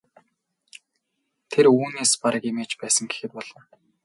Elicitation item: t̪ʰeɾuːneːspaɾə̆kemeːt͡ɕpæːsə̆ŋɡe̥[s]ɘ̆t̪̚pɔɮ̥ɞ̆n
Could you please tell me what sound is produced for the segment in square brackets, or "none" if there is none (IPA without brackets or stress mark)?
x